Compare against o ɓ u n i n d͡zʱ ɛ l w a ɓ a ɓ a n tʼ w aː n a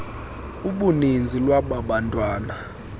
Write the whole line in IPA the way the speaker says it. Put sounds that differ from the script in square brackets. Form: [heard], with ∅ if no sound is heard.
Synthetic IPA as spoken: [u] ɓ u n i n d͡zʱ [i] l w a ɓ a ɓ a n tʼ w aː n a